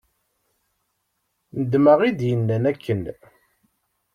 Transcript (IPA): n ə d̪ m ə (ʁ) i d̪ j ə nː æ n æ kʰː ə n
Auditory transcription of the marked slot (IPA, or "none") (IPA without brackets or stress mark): ʁ